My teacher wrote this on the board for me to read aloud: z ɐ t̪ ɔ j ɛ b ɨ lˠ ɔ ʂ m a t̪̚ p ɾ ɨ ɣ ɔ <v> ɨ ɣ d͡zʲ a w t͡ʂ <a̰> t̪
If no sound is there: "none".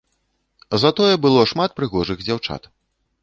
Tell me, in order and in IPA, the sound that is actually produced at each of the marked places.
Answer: ʐ, a̰

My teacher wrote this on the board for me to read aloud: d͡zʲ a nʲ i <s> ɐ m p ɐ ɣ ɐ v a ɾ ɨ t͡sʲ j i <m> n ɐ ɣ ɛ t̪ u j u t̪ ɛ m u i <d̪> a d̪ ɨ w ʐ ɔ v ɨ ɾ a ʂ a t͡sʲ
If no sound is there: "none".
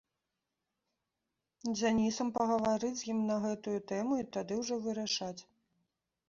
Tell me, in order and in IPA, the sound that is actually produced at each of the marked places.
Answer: s, m, t̪

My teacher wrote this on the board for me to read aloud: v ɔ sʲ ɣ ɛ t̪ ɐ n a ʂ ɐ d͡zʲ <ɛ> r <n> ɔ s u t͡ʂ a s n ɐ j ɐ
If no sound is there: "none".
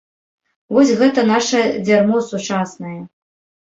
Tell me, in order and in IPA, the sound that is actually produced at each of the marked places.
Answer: a, m

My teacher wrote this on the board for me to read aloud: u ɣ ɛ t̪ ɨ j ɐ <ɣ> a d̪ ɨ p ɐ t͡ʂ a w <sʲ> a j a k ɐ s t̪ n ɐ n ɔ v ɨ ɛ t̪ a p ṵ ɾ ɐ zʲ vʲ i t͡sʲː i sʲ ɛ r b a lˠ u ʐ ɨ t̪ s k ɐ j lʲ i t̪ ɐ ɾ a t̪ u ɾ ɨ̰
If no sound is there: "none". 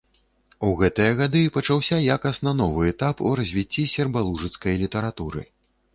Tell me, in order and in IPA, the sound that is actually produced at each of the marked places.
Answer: ɣ, sʲ

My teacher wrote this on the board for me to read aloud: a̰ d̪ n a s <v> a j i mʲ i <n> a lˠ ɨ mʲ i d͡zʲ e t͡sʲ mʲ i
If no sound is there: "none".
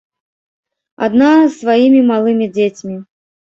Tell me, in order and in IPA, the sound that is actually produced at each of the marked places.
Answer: v, m

